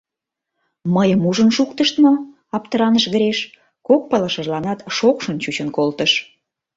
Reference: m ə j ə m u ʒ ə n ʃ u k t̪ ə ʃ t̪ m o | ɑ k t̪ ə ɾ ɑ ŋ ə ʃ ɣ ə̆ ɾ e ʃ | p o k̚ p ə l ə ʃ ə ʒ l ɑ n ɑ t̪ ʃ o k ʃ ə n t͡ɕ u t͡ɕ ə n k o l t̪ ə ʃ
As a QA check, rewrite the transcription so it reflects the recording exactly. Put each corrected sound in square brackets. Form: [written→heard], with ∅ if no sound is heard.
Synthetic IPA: m ə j ə m u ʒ ə n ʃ u k t̪ ə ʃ t̪ m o | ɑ [k→p] t̪ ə ɾ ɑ [ŋ→n] ə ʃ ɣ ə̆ ɾ e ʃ | [p→k] o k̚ p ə l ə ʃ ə ʒ l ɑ n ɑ t̪ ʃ o k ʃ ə n t͡ɕ u t͡ɕ ə n k o l t̪ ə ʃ